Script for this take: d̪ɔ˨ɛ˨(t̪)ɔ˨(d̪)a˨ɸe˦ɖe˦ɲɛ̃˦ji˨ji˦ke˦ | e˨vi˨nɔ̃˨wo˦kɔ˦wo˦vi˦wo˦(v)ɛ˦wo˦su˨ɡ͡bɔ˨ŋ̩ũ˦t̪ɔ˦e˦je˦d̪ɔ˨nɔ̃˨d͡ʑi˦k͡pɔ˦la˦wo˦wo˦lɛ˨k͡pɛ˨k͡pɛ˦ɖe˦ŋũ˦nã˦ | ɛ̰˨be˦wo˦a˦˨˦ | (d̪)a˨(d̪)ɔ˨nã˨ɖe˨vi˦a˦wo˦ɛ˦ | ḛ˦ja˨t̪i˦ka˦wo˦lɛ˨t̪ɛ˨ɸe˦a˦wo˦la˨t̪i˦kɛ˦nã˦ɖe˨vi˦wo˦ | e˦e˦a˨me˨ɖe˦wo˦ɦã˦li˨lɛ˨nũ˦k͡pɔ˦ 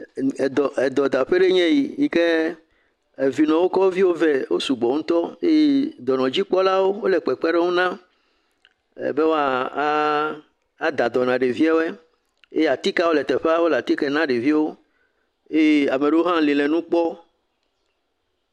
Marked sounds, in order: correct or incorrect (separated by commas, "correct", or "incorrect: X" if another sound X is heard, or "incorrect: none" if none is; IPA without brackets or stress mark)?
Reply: incorrect: d̪, correct, correct, correct, correct